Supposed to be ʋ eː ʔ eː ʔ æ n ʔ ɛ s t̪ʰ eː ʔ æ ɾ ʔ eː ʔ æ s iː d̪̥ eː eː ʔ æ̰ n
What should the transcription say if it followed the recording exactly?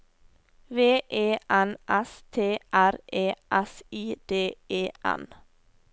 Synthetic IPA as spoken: ʋ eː ʔ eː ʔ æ n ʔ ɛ s t̪ʰ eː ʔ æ ɾ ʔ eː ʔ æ s iː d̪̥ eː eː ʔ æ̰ n

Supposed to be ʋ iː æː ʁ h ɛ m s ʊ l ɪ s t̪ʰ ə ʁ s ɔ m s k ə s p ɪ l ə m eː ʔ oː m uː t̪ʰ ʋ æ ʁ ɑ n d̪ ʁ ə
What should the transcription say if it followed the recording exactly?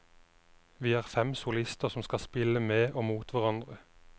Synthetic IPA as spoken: ʋ iː æː ʁ f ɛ m s ʊ l ɪ s t̪ ə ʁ s ɔ m s k ɑ s p ɪ l ə m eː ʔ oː m uː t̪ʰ ʋ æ ʁ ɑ n d̪ ʁ ə

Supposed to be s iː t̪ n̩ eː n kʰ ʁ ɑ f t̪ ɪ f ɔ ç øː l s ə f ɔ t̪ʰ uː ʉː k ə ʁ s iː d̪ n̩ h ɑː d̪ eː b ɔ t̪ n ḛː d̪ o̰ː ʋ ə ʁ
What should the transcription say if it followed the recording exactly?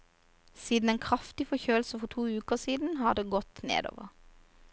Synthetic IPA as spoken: s iː d̪ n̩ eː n kʰ ʁ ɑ f t̪ ɪ f ɔ ç øː l s ə f ɔ t̪ʰ uː ʉː k ə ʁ s iː d̪ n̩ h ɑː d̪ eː ɡ ɔ t̪ n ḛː d̪ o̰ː ʋ ə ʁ

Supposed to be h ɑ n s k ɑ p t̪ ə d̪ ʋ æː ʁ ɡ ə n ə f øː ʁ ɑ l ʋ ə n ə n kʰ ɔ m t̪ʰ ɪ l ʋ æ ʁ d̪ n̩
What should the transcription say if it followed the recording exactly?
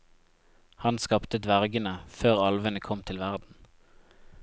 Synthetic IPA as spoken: h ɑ n s k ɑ p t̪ ə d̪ ʋ æ ʁ ɡ ə n ə f øː ʁ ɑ l ʋ ə n ə kʰ ɔ m t̪ʰ ɪ l ʋ æ ʁ d̪ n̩

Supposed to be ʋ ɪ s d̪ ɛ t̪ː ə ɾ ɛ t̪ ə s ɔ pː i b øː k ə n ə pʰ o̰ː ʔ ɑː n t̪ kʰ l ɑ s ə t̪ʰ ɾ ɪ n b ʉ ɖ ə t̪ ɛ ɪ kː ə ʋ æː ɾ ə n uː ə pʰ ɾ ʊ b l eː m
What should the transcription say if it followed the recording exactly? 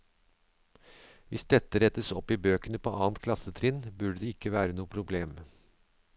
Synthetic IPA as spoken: ʋ ɪ s d̪ ɛ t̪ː ə ɾ ɛ t̪ ə s ɔ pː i b øː k ə n ə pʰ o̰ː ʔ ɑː n t̪ kʰ l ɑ s ə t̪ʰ ɾ ɪ n b ʉ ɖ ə d̪ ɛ ɪ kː ə ʋ æː ɾ ə n uː ə pʰ ɾ ʊ b l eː m

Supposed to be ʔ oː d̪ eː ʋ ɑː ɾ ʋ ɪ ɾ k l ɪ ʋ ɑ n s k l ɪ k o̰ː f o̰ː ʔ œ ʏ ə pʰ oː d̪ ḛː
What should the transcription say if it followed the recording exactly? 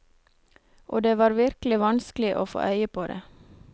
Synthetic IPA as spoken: ʔ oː d̪ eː ʋ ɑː ɾ ʋ ɪ ɾ k l ɪ ʋ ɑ n s k l ɪ ʔ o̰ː f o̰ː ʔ œ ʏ ə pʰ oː d̪ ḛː

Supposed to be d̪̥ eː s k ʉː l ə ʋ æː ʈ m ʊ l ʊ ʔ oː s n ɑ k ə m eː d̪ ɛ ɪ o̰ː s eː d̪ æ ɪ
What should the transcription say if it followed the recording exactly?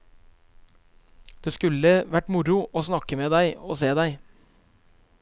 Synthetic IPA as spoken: d̪̥ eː s k ʉ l ə ʋ æ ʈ m ʊ ɾ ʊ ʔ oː s n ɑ k ə m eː d̪ æ ɪ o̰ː s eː d̪ æ ɪ

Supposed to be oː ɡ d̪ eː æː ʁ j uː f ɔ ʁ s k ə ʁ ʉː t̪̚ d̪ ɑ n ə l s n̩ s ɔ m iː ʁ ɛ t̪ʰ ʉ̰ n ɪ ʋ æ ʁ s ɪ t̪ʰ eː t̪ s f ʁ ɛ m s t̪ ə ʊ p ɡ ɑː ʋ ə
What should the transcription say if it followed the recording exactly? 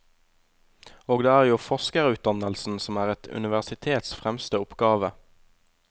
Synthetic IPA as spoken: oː ɡ d̪ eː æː ʁ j uː f ɔ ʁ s k ə ʁ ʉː t̪̚ d̪ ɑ n ə l s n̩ s ɔ m æː ʁ ɛ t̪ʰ ʉ̰ n ɪ ʋ æ ʁ s ɪ t̪ʰ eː t̪ s f ʁ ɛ m s t̪ ə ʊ p ɡ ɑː ʋ ə

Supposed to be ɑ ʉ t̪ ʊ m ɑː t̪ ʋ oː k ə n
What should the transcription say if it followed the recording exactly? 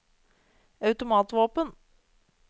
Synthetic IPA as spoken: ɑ ʉ t̪ ʊ m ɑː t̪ ʋ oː p ə n

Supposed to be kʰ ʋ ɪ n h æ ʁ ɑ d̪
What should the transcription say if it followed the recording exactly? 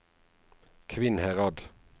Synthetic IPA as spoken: kʰ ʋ ɪ n h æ ʁ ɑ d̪

